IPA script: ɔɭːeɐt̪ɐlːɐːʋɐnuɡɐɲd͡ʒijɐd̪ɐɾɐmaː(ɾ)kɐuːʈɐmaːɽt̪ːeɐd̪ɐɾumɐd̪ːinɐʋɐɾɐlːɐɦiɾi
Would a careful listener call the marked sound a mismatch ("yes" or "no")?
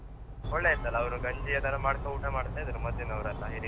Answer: yes